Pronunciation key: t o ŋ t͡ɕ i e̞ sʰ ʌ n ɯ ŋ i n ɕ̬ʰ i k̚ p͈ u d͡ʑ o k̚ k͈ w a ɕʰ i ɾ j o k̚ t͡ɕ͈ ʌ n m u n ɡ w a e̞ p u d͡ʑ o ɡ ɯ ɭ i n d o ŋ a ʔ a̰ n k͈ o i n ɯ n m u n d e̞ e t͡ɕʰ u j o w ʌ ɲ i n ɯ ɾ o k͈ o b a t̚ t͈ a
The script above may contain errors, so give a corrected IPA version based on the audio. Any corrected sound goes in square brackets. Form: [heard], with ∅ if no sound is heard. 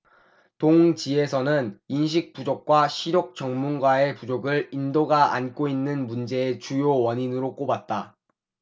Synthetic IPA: t o ŋ t͡ɕ i e̞ sʰ ʌ n ɯ [n] i n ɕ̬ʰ i k̚ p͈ u d͡ʑ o k̚ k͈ w a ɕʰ i ɾ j o k̚ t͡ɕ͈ ʌ [ŋ] m u n ɡ w a e̞ p u d͡ʑ o ɡ ɯ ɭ i n d o [ɡ] a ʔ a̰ n k͈ o i [nː] ɯ n m u n [d͡ʑ] e̞ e [t͡ɕ] u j o w ʌ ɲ i n ɯ ɾ o k͈ o b a t̚ t͈ a